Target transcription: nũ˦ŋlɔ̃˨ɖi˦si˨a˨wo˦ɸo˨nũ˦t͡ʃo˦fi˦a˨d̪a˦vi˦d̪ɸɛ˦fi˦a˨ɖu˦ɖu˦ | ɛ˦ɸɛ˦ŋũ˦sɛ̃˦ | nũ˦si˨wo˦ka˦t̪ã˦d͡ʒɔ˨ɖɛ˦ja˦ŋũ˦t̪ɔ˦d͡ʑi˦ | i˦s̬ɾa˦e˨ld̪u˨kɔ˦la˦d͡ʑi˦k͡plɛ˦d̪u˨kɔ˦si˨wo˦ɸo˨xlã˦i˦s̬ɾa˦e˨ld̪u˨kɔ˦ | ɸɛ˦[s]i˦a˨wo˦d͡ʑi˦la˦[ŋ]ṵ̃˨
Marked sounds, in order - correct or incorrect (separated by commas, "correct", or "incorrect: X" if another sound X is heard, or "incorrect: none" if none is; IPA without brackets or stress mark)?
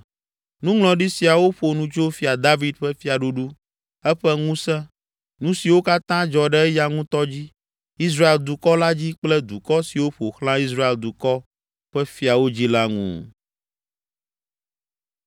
incorrect: f, correct